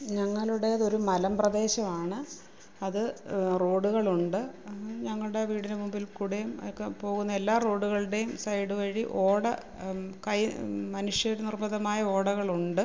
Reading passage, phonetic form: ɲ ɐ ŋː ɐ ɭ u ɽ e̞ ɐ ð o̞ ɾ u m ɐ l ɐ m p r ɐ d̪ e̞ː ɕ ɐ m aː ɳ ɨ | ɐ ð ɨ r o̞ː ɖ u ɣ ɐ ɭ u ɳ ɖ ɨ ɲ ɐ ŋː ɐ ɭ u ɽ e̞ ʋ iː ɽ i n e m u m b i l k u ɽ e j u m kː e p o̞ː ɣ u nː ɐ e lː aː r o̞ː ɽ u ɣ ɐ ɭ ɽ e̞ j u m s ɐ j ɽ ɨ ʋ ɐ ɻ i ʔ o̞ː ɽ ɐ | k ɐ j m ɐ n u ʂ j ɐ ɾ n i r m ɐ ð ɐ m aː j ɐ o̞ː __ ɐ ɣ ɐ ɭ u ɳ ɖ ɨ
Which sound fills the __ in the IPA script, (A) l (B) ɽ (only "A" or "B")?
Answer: B